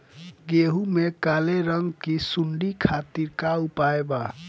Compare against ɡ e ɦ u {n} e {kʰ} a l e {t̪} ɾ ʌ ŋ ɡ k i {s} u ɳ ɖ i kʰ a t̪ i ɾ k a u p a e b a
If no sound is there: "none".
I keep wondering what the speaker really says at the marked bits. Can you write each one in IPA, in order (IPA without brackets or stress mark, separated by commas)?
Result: m, k, none, s